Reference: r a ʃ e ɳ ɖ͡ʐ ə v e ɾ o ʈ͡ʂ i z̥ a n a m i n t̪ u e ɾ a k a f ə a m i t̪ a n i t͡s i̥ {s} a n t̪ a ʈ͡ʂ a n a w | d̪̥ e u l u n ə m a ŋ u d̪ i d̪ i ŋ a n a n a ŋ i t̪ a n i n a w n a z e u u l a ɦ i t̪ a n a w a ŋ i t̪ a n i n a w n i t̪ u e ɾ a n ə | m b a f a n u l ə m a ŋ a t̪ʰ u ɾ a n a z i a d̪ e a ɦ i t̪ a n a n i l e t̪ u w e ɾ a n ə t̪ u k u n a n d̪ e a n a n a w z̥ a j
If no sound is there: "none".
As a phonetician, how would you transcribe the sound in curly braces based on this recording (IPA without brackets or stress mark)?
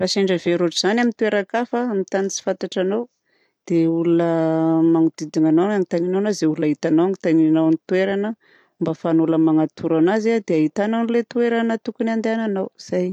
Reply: f